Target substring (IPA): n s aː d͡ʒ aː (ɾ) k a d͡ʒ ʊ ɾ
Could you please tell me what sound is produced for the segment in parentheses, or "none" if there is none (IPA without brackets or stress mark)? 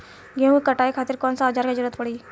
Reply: ɾ